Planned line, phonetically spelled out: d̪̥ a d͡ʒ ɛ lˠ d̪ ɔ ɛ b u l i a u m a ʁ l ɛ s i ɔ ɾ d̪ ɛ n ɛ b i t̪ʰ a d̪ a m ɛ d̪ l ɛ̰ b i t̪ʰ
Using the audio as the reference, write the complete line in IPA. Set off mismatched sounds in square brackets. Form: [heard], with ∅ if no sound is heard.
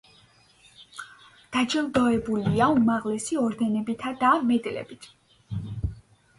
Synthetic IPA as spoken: d̪̥ a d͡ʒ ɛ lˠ d̪ ɔ ɛ b u l i a u m a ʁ l ɛ s i ɔ ɾ d̪ ɛ n ɛ b i t̪ʰ a d̪ a m ɛ d̪ l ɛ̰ b i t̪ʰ